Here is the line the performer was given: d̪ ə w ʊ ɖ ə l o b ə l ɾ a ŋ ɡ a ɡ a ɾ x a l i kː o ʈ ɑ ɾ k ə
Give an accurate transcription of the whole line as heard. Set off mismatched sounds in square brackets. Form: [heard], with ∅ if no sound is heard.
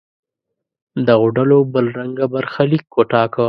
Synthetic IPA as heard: d̪ ə [ɣ] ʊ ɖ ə l o b ə l ɾ a ŋ ɡ a [b] a ɾ x a l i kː o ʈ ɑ [∅] k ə